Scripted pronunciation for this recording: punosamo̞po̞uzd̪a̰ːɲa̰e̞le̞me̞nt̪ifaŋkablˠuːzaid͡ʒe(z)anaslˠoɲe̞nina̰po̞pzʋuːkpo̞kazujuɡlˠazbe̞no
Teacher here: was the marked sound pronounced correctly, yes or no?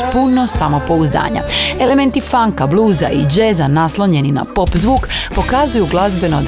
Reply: yes